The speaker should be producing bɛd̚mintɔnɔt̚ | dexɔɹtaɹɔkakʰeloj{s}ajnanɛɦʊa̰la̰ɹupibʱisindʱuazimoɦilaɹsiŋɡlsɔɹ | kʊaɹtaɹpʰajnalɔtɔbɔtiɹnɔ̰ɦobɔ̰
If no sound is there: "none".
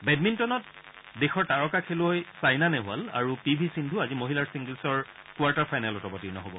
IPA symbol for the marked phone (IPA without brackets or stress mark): s